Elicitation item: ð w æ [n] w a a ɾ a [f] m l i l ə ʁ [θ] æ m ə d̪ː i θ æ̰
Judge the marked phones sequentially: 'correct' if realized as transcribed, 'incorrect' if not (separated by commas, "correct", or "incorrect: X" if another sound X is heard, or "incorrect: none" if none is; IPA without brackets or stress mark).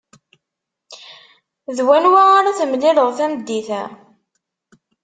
correct, incorrect: θ, correct